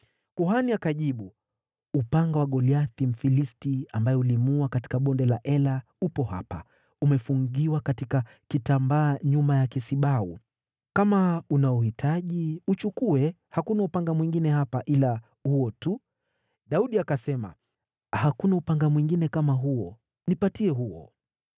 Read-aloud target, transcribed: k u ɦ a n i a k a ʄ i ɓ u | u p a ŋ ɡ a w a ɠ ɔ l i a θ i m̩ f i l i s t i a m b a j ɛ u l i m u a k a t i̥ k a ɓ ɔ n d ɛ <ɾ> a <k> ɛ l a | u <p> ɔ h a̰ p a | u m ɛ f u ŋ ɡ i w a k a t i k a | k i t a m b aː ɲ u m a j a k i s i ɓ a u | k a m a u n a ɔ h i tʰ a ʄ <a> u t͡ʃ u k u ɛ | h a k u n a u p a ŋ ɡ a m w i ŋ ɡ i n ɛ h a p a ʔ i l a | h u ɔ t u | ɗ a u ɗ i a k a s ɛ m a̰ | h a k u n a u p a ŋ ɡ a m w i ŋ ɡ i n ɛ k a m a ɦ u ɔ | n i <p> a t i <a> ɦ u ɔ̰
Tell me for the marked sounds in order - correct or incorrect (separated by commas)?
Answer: incorrect, incorrect, correct, incorrect, correct, incorrect